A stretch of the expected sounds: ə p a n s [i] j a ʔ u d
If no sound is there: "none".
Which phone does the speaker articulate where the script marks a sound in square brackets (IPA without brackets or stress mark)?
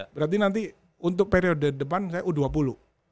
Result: a